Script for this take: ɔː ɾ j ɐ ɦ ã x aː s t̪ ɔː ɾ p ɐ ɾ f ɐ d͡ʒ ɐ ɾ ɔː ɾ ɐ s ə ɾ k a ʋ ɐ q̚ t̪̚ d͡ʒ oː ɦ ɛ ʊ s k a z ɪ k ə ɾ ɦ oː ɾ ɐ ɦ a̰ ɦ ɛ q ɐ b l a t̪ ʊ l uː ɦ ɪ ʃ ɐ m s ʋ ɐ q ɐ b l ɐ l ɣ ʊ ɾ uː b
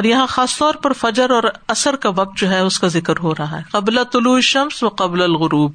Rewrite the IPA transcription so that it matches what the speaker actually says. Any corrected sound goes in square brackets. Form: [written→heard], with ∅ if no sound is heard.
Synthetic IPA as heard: ɔː ɾ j ɐ ɦ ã x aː s t̪ ɔː ɾ p ɐ ɾ f ɐ d͡ʒ [ɐ→ə] ɾ ɔː ɾ ɐ s ə ɾ k a ʋ ɐ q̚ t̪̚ d͡ʒ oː ɦ ɛ ʊ s k a z ɪ k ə ɾ ɦ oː ɾ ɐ ɦ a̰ ɦ ɛ q ɐ b l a t̪ ʊ l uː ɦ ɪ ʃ ɐ m s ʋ ɐ q ɐ b l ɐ l ɣ ʊ ɾ uː b